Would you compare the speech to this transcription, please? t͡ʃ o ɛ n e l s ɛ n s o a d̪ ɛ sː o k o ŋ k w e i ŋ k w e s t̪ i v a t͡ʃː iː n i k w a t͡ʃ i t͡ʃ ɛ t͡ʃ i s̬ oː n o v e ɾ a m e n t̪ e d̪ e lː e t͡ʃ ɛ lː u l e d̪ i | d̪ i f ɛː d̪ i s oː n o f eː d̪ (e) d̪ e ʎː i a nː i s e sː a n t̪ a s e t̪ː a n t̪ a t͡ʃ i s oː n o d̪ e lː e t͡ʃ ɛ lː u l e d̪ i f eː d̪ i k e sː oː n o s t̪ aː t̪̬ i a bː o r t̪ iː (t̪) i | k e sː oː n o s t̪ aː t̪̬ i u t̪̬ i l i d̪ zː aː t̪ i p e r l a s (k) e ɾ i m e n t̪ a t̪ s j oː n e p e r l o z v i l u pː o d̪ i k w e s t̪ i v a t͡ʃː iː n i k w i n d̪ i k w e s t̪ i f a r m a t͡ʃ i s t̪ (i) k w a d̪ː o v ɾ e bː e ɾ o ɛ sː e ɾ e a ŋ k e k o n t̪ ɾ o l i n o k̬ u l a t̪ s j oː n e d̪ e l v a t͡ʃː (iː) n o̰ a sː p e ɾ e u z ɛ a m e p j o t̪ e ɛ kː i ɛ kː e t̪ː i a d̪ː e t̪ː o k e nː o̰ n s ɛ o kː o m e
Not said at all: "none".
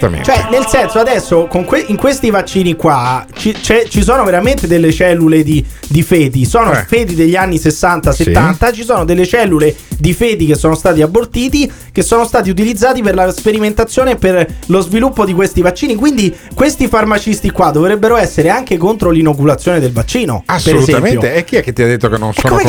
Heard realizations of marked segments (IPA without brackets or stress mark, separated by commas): i, t̪, p, i, iː